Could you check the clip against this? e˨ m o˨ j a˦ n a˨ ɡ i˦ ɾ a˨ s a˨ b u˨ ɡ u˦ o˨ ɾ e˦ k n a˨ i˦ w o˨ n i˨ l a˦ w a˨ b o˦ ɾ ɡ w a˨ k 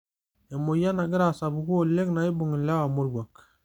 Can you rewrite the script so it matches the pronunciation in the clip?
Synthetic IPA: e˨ m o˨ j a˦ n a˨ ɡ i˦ ɾ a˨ s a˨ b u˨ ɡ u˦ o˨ l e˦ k n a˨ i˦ b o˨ ŋ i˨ l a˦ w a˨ m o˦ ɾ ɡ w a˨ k

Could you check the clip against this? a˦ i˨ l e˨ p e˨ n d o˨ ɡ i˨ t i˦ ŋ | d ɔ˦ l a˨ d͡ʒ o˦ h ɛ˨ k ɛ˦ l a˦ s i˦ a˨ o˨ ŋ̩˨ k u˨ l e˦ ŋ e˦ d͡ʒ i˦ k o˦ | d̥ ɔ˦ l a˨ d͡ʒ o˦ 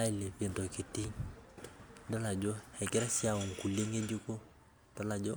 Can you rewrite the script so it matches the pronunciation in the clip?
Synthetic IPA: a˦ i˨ l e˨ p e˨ n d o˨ k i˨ t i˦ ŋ | d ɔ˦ l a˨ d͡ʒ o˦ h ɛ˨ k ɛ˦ ɾ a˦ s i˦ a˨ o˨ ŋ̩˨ k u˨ l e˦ ŋ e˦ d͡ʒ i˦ k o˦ | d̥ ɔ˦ l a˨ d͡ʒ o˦

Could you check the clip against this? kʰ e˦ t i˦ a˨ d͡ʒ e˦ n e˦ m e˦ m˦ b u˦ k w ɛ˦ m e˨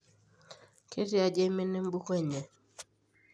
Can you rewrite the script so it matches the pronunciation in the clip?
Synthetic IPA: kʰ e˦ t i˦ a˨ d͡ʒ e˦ m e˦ n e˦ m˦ b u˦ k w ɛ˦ ɲ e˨

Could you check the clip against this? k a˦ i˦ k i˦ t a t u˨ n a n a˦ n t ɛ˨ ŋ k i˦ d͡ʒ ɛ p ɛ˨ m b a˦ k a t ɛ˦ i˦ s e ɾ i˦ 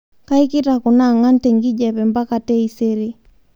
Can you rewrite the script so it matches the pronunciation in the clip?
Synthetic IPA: k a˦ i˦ k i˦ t a k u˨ n a ŋ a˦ n t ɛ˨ ŋ ɡ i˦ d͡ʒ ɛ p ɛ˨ m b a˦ k a t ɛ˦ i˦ s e ɾ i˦

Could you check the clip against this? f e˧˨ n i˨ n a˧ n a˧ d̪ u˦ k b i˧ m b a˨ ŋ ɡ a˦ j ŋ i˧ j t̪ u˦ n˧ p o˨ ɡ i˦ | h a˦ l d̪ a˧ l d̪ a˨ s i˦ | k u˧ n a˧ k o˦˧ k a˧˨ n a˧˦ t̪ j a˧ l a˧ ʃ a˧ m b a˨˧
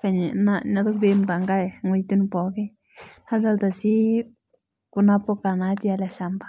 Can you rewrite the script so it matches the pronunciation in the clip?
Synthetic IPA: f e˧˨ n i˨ n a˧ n a˧ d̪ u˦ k b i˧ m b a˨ ŋ ɡ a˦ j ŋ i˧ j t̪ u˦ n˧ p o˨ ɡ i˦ | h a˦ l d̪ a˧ l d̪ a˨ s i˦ | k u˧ n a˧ p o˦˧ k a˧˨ n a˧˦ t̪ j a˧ l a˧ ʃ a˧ m b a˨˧

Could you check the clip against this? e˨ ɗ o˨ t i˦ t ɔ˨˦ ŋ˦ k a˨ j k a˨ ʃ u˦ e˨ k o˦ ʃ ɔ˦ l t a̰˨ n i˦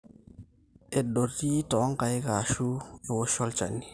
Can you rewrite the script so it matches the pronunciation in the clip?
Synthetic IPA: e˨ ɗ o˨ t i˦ t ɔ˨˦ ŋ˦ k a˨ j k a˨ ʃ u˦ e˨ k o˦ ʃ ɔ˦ l t͡ʃ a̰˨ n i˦

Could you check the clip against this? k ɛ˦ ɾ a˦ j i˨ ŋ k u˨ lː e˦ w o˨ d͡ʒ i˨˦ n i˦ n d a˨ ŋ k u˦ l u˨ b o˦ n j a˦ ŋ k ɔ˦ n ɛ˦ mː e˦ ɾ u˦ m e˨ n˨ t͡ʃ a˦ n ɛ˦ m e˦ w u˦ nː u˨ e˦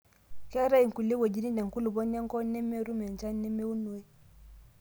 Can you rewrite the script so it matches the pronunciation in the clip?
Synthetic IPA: k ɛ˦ ɾ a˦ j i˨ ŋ k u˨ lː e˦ w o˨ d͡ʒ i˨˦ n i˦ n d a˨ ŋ k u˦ l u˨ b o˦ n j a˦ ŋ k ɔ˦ n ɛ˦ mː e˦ ɾ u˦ m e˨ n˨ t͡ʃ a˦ n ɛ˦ m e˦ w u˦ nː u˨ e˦

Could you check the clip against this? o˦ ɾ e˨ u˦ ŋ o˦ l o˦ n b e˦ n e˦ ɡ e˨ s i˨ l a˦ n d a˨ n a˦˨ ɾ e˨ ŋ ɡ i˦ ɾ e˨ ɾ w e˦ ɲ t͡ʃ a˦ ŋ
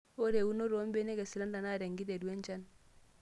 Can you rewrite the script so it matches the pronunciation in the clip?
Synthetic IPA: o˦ ɾ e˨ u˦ n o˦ ɾ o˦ m b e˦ n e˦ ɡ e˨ s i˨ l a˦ n d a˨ n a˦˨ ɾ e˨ ŋ ɡ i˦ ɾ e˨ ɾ w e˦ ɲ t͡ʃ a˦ n

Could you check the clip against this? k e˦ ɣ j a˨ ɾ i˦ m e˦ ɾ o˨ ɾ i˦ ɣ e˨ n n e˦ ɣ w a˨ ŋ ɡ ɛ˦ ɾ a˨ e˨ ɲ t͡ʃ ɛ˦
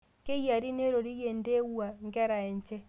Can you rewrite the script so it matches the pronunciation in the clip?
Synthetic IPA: k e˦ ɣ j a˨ ɾ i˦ n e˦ ɾ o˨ ɾ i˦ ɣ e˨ n d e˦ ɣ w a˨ ŋ ɡ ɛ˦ ɾ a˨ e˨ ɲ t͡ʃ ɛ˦

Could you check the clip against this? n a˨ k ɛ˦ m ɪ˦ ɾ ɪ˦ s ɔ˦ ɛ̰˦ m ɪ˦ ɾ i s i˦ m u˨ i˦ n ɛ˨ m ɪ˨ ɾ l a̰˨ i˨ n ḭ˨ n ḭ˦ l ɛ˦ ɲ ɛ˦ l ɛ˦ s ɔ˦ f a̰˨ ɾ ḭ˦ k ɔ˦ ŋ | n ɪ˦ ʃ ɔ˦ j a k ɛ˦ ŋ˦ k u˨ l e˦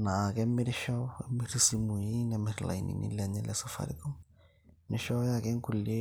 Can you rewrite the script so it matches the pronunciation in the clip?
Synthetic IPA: n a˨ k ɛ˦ m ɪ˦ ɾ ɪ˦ ʃ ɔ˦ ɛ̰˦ m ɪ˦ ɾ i s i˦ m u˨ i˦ n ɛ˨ m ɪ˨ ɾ l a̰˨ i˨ n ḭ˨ n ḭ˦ l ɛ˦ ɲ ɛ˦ l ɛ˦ s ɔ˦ f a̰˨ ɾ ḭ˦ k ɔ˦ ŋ | n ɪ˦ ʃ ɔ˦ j a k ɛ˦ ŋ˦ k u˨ l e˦

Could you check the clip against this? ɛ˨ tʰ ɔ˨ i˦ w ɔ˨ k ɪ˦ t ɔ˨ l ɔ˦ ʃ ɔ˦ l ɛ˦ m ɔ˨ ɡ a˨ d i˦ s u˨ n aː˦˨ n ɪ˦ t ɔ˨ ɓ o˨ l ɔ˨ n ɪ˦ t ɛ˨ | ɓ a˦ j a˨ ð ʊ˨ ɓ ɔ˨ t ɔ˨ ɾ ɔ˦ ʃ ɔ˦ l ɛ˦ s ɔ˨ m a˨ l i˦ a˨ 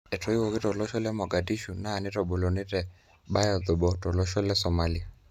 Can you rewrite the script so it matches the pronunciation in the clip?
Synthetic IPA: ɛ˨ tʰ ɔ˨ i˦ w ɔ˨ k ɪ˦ t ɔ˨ l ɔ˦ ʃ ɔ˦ l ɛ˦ m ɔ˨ ɡ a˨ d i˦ ʃ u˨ n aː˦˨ n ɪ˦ t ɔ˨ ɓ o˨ l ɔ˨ n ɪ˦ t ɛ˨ | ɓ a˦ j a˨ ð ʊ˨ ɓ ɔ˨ t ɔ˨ l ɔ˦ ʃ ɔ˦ l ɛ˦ s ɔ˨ m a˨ l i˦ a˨

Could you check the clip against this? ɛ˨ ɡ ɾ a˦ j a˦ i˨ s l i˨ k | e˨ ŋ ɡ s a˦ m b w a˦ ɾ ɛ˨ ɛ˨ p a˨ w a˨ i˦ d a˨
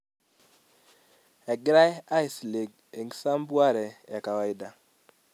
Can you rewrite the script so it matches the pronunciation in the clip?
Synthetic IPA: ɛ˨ ɡ ɾ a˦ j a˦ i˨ s l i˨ ɡ | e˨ ŋ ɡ s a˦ m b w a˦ ɾ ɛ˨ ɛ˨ k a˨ w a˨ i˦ d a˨

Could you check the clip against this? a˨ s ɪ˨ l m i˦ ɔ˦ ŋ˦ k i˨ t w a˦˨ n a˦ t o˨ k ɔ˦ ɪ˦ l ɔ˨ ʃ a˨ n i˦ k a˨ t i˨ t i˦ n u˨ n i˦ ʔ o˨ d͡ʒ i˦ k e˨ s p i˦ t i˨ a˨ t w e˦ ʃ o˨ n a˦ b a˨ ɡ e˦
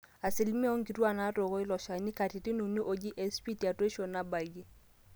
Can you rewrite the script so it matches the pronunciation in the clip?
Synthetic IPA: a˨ s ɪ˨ l m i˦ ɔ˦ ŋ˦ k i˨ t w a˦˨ n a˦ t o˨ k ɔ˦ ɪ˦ l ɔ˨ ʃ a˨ n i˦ k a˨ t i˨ t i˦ n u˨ n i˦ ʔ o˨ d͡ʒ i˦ ʔ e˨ s p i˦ t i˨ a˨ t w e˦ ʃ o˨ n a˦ b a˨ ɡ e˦

